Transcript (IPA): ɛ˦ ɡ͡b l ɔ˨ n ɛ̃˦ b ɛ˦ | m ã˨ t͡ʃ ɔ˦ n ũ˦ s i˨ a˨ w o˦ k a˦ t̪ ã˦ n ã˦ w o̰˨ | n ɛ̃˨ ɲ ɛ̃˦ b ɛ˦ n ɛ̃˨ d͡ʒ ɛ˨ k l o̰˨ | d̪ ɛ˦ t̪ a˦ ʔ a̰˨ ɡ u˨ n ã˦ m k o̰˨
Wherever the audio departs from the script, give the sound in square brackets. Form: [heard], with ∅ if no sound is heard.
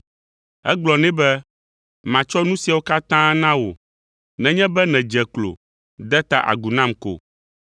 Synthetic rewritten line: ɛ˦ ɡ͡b l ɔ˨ n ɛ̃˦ b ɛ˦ | m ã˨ t͡ʃ ɔ˦ n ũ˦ s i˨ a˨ w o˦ k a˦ t̪ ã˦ n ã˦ w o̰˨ | n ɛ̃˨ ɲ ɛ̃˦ b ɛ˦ n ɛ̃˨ d͡ʒ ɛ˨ k l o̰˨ | d̪ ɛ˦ t̪ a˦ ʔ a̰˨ ɡ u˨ n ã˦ m k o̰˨